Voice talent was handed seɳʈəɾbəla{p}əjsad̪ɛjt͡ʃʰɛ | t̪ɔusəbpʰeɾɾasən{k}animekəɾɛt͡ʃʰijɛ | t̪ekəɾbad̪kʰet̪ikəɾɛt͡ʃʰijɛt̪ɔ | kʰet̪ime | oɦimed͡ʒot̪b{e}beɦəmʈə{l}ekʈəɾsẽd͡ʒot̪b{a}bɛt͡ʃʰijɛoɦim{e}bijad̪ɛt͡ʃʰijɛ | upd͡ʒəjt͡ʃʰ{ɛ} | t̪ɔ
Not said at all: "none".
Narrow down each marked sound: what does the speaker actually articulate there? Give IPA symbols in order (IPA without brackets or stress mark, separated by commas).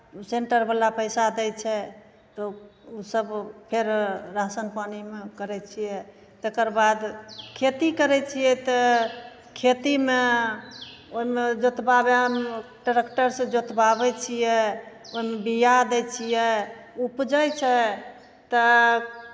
p, p, a, ɾ, a, e, ɛ